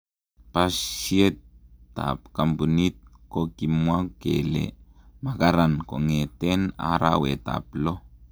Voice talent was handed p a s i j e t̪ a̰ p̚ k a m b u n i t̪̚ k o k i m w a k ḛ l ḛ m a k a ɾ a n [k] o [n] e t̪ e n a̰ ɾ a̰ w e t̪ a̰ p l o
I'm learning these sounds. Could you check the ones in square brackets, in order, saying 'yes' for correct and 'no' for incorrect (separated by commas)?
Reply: yes, no